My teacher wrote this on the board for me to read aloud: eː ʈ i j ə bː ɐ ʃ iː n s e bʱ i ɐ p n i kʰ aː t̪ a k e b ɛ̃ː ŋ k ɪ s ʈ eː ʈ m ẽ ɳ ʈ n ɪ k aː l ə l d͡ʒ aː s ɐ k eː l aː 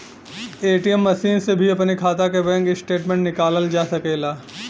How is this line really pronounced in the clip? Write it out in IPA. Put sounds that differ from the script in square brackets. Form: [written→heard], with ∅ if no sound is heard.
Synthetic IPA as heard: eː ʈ i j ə [bː→mː] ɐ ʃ iː n s e bʱ i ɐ p n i kʰ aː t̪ a k e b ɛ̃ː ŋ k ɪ s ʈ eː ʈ m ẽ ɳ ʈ n ɪ k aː l ə l d͡ʒ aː s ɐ k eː l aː